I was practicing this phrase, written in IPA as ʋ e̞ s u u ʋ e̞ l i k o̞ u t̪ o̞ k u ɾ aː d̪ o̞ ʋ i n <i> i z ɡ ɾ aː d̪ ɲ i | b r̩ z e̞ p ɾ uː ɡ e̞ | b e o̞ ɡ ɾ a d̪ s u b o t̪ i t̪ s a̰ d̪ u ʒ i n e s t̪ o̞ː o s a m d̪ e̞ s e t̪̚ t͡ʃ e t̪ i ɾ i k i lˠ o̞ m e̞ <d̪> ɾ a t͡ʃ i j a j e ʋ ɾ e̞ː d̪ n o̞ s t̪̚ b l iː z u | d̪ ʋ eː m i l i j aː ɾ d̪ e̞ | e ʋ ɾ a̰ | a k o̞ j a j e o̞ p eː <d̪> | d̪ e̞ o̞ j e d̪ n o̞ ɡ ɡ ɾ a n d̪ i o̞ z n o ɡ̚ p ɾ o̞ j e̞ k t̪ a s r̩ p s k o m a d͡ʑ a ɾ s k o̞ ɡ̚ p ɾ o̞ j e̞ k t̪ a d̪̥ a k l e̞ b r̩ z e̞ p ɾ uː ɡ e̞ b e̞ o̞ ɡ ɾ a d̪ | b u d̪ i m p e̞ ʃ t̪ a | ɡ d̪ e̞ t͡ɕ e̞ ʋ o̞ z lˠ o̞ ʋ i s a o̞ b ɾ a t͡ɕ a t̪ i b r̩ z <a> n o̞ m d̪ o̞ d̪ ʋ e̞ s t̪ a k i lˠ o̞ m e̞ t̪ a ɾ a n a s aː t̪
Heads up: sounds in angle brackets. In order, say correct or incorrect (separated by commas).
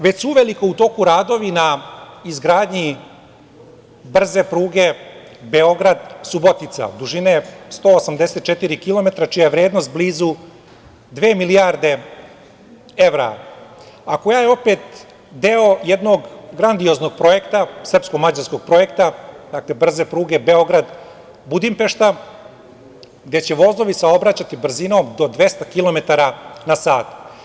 incorrect, incorrect, incorrect, incorrect